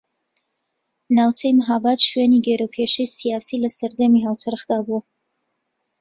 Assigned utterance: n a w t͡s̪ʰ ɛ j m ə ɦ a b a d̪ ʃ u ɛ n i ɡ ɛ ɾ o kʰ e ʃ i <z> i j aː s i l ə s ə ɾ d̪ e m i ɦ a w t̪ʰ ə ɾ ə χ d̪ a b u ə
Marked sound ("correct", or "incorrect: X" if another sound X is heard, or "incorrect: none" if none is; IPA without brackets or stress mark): incorrect: s